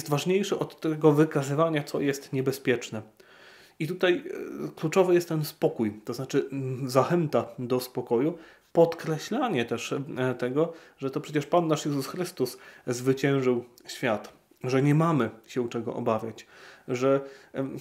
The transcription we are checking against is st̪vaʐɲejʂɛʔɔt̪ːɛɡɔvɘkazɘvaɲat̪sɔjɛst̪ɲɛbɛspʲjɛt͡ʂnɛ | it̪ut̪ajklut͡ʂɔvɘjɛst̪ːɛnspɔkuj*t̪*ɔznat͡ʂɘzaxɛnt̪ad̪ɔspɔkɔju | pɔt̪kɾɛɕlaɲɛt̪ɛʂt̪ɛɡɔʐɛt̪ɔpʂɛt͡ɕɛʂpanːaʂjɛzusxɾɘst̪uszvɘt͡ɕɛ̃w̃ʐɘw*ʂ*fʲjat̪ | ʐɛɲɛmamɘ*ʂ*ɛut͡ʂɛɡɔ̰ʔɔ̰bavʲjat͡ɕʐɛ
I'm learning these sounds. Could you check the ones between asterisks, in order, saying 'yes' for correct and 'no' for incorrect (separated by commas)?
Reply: yes, no, no